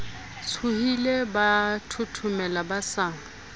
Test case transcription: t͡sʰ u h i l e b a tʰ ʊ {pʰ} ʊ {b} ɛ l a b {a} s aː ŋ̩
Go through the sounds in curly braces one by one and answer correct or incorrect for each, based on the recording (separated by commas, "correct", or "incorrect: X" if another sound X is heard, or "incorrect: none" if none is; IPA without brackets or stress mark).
incorrect: tʰ, incorrect: m, correct